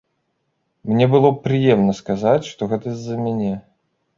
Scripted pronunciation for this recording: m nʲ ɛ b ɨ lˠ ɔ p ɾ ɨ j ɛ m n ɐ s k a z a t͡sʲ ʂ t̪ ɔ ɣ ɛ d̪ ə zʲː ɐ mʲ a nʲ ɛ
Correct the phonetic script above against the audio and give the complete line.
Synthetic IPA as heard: m nʲ ɛ b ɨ lˠ ɔ p ɾ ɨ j ɛ m n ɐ s k a z a t͡sʲ ʂ t̪ ɔ ɣ ɛ t̪ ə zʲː ɐ mʲ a nʲ ɛ